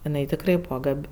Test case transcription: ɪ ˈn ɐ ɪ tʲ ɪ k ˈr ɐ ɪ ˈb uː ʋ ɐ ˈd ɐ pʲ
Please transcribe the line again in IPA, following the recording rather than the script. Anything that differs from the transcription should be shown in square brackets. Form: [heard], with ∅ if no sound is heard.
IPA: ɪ ˈn ɐ ɪ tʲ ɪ k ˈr ɐ ɪ ˈb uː ʋ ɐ [ˈɡ] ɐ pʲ

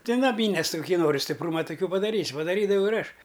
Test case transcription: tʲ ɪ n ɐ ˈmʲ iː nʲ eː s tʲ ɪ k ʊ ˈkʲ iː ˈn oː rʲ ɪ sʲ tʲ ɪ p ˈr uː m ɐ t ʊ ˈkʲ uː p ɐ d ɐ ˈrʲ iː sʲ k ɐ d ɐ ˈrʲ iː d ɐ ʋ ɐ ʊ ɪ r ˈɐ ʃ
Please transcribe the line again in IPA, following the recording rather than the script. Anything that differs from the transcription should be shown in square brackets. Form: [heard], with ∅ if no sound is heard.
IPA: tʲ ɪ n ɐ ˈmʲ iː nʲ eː s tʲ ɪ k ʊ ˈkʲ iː ˈn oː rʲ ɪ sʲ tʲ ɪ p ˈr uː m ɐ t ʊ ˈkʲ uː p ɐ d ɐ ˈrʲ iː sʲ [p] ɐ d ɐ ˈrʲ iː d ɐ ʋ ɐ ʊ ɪ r ˈɐ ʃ

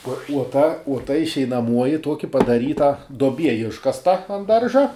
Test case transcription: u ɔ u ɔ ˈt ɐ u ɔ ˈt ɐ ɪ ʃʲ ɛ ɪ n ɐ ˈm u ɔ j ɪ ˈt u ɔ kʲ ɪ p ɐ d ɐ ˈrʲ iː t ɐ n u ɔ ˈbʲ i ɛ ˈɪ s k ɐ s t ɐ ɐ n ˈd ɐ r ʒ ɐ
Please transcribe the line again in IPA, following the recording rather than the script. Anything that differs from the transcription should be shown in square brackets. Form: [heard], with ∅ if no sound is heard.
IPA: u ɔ u ɔ ˈt ɐ u ɔ ˈt ɐ ɪ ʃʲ ɛ ɪ n ɐ ˈm u ɔ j ɪ ˈt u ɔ kʲ ɪ p ɐ d ɐ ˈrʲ iː t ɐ [d] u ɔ ˈbʲ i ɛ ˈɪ [ʃ] k ɐ s t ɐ ɐ n ˈd ɐ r ʒ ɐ

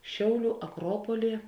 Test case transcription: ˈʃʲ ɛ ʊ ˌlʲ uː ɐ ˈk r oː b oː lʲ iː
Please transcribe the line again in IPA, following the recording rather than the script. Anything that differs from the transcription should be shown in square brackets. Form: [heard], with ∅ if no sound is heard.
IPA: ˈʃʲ ɛ ʊ ˌlʲ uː ɐ ˈk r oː [p] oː lʲ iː

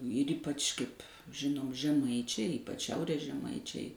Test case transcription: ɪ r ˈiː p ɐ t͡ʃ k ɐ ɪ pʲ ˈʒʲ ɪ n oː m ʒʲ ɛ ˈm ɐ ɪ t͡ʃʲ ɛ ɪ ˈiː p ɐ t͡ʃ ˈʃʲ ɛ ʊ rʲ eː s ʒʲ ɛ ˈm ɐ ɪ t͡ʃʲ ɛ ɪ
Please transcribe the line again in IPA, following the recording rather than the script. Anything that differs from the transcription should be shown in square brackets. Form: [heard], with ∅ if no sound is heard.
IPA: ɪ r ˈiː p ɐ t͡ʃ k ɐ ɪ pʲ ˈʒʲ ɪ n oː m ʒʲ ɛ ˈm ɐ ɪ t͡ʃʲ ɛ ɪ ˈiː p ɐ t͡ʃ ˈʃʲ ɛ ʊ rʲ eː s ʒʲ ɛ ˈm ɐ ɪ t͡ʃʲ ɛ ɪ

